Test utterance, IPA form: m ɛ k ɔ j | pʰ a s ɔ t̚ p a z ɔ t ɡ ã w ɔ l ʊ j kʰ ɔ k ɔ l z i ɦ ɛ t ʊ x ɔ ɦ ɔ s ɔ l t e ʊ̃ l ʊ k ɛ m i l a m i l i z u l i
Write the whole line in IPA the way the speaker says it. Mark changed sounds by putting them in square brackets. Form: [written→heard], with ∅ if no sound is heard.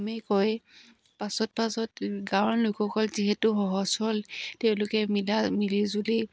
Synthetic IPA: m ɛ k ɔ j | [pʰ→p] a s ɔ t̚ p a [z→s] ɔ t ɡ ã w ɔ l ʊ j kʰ ɔ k ɔ l z i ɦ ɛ t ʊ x ɔ ɦ ɔ s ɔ l t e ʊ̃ l ʊ k ɛ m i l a m i l i z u l i